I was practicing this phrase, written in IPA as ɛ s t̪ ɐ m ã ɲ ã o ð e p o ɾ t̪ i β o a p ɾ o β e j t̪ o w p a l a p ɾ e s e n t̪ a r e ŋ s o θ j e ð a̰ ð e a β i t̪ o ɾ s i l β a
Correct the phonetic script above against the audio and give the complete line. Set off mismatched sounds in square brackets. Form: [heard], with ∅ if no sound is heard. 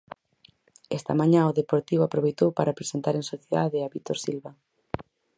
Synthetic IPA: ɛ s t̪ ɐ m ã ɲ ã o ð e p o ɾ t̪ i β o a p ɾ o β e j t̪ o w p a [ɾ] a p ɾ e s e n t̪ a [ɾ] e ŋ s o θ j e ð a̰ ð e a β i t̪ o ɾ s i l β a